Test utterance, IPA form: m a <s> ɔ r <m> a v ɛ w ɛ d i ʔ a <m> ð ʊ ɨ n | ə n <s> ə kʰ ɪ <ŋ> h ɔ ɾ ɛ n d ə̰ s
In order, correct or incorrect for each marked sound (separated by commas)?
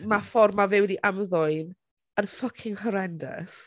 incorrect, correct, correct, incorrect, correct